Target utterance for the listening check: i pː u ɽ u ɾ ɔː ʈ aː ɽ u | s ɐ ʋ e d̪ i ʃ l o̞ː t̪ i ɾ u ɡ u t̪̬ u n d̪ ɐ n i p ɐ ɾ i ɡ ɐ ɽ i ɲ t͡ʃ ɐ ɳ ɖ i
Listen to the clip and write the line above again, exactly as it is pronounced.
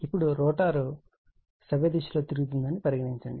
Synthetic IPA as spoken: i pː u ɽ u ɾ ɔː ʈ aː ɾ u | s ɐ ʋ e d̪ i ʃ l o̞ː t̪ i ɾ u ɡ u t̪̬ u n d̪ ɐ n i p ɐ ɾ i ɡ ɐ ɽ i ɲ t͡ʃ ɐ ɳ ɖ i